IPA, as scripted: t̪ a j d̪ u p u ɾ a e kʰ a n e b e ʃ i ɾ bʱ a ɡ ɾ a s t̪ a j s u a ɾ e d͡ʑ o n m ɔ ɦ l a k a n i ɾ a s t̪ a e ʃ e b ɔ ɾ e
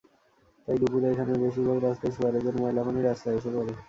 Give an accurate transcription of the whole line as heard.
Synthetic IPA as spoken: t̪ a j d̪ u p u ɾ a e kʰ a n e b e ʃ i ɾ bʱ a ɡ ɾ a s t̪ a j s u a ɾ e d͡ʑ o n m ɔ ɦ l a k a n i ɾ a s t̪ a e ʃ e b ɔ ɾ e

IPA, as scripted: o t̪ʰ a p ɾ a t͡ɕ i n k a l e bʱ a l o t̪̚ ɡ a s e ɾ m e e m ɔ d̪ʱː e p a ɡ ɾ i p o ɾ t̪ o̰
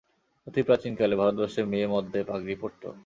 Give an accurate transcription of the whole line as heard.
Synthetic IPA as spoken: o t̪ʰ i p ɾ a t͡ɕ i n k a l e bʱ a ɾ o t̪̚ b a ʃ e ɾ m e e m ɔ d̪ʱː e p a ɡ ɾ i p o ɾ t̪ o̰

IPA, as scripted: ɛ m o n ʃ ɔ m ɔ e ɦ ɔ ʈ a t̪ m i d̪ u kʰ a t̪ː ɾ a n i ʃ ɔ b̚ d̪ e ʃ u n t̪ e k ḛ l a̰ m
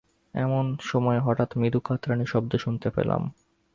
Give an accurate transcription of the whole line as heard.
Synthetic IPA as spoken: ɛ m o n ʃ ɔ m ɔ e ɦ ɔ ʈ a t̪ m i d̪ u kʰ a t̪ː ɾ a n i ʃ ɔ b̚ d̪ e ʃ u n t̪ e p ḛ l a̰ m

